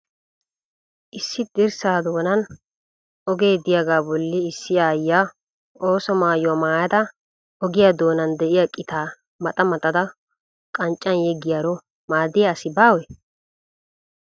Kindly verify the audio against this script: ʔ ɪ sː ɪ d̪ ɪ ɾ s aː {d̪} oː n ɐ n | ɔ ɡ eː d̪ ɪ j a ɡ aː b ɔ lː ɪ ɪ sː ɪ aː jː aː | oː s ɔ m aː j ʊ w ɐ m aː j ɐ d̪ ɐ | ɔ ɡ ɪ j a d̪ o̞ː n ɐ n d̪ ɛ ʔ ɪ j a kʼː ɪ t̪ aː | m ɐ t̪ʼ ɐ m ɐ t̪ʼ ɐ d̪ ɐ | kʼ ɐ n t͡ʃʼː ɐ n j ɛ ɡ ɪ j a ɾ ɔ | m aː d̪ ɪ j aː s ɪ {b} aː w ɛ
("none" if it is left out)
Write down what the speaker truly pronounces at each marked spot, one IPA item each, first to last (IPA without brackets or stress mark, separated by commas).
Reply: d̪, b